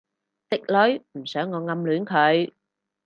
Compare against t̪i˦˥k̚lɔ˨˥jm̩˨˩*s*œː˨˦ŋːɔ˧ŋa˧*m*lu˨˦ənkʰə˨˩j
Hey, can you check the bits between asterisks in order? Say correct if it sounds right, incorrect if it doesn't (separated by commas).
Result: correct, correct